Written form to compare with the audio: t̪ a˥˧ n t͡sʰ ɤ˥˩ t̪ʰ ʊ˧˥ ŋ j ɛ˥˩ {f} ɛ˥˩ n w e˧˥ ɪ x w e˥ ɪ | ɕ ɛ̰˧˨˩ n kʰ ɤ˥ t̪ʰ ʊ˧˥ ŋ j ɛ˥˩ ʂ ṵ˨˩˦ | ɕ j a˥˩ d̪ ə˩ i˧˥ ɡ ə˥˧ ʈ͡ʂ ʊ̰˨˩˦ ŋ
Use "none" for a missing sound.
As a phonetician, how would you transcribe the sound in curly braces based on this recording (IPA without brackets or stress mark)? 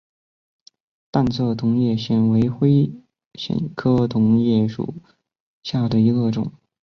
ɕ